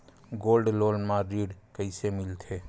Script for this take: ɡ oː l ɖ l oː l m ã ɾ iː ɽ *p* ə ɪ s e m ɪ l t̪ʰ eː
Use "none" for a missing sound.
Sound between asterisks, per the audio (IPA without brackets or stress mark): k